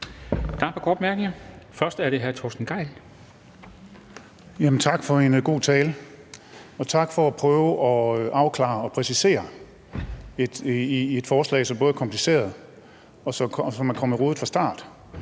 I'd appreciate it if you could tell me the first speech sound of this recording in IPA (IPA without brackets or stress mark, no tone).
d̥